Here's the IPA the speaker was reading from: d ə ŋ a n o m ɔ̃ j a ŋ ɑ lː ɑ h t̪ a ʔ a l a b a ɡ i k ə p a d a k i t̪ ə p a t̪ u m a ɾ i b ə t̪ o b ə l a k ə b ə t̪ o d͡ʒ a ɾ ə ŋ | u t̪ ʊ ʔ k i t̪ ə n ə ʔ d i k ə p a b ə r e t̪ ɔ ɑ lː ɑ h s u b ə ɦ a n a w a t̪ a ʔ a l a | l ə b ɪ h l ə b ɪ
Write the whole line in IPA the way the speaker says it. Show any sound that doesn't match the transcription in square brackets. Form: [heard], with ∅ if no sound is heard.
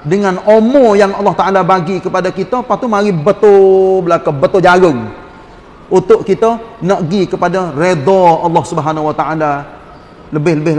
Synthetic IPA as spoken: d ə ŋ a n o m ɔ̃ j a ŋ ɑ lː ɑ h t̪ a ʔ a l a b a ɡ i k ə p a d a k i t̪ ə p a t̪ u m a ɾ i b ə t̪ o b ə l a k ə b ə t̪ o d͡ʒ a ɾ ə ŋ | u t̪ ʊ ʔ k i t̪ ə n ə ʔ [ɡ] i k ə p a [d] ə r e [d̪] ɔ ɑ lː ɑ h s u b ə ɦ a n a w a t̪ a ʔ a l a | l ə b ɪ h l ə b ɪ

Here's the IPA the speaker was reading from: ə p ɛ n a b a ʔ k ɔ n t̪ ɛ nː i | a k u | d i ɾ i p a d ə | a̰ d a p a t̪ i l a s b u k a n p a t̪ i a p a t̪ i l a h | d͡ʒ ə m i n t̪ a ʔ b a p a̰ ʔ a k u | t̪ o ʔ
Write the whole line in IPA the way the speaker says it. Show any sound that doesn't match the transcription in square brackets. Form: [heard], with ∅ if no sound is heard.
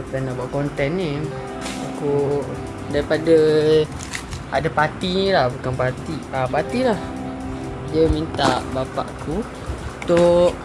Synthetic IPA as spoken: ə p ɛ n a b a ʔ k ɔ n t̪ ɛ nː i | a k u | d [a] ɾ i p a d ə | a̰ d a p a t̪ i l a [h] b u k a n p a t̪ i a p a t̪ i l a h | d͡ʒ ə m i n t̪ a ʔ b a p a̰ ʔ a k u | t̪ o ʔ

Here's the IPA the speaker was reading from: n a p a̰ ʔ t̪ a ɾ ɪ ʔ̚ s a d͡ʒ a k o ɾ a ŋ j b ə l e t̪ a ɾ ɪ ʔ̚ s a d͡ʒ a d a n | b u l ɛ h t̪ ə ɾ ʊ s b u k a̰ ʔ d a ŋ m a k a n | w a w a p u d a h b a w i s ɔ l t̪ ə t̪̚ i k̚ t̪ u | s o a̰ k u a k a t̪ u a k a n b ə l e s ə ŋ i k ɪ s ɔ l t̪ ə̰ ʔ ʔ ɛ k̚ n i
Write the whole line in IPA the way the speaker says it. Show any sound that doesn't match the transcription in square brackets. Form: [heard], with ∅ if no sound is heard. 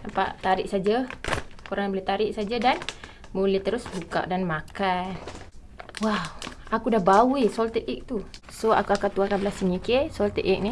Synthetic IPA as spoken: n a p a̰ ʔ t̪ a ɾ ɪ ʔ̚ s a d͡ʒ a k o ɾ a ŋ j b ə l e t̪ a ɾ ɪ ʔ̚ s a d͡ʒ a d a n | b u l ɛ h t̪ ə ɾ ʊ s b u k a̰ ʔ d a [n] m a k a n | w a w a [k] u d a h b a w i s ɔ l t̪ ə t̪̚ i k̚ t̪ u | s o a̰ k u a k a t̪ u a k a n b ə l [a] s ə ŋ i k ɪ s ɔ l t̪ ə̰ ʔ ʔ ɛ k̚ n i

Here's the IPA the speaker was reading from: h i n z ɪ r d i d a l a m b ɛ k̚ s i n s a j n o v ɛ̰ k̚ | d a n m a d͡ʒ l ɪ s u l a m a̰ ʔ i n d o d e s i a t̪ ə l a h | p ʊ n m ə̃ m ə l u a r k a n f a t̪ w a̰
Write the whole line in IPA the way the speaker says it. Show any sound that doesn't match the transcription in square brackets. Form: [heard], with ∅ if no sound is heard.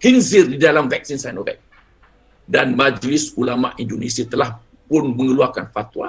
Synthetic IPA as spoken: h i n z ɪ r d i d a l a m [v] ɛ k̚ s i n s a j n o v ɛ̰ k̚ | d a n m a d͡ʒ l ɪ s u l a m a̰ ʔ i n d o [n] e s i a t̪ ə l a h | p ʊ n m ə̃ [ŋ] ə l u a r k a n f a t̪ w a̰

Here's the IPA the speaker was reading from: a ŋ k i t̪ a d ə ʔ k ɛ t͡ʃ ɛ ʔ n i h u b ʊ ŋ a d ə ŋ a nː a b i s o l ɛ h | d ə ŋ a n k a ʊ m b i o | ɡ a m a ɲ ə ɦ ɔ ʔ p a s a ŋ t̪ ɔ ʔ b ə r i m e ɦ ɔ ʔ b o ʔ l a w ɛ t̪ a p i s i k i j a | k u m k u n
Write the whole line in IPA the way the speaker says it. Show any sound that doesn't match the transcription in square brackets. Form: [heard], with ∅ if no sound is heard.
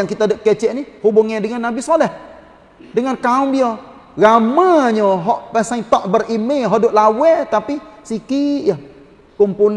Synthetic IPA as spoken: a ŋ k i t̪ a d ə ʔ k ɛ t͡ʃ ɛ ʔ n i h u b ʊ ŋ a d ə ŋ a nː a b i s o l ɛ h | d ə ŋ a n k a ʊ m b i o | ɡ a m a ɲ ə ɦ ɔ ʔ p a s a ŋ t̪ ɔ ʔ b ə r i m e ɦ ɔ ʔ [d] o ʔ l a w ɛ t̪ a p i s i k i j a | k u m [p] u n

